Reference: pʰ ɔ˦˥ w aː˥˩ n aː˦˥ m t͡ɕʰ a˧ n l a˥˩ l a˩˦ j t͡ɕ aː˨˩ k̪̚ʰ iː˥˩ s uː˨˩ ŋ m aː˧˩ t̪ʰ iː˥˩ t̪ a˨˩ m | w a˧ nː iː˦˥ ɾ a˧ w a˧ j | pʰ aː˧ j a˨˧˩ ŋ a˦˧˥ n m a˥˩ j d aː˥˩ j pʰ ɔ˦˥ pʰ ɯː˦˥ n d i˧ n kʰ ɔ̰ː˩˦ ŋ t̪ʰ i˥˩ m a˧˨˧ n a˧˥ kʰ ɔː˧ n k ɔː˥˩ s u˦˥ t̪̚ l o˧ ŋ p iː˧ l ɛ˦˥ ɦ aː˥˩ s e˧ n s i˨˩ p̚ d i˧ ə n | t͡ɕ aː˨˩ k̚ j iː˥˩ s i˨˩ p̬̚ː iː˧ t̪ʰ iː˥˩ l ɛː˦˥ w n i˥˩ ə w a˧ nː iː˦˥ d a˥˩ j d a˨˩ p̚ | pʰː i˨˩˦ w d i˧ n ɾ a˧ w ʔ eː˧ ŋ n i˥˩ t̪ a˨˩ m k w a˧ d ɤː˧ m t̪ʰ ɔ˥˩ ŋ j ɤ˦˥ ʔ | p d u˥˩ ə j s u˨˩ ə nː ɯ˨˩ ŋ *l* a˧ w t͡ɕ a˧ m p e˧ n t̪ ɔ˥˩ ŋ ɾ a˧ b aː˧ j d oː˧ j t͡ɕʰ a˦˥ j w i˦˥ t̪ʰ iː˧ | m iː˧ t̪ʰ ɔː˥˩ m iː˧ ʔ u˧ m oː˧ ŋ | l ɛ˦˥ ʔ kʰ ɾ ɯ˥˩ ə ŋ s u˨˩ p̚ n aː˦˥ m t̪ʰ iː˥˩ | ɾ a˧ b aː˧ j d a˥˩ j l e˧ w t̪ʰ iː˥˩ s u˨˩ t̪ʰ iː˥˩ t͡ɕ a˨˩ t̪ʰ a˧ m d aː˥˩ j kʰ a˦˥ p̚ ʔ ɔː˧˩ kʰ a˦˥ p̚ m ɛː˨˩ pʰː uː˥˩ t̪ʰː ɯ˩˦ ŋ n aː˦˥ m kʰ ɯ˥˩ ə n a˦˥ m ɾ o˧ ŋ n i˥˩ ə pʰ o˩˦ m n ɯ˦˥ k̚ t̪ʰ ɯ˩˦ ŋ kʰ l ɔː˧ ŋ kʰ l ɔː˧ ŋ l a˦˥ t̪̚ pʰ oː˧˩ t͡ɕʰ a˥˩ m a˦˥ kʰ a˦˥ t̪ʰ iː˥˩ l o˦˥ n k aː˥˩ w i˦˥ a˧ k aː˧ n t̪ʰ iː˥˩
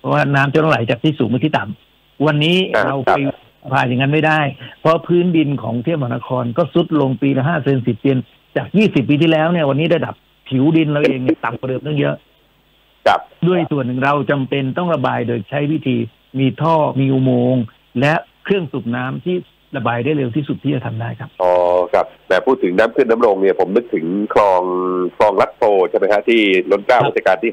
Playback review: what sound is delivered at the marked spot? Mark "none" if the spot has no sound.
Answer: ɾ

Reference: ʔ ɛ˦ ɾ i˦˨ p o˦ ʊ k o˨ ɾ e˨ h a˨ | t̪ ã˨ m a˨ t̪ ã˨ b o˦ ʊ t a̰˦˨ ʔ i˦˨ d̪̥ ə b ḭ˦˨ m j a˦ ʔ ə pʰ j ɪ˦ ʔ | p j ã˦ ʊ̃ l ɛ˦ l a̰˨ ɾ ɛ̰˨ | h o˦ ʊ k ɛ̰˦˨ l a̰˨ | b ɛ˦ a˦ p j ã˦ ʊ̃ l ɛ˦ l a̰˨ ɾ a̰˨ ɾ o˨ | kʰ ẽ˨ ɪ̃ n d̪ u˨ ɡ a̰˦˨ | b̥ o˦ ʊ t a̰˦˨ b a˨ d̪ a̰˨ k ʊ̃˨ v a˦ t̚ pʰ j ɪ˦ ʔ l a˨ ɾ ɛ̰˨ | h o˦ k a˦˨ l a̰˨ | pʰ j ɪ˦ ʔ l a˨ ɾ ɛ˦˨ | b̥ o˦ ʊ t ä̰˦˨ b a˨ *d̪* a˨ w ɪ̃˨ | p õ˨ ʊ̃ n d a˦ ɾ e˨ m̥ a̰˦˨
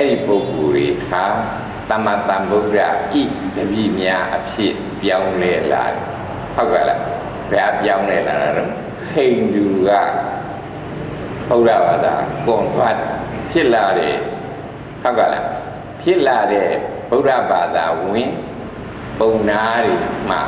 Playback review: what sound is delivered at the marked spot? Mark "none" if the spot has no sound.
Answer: d̪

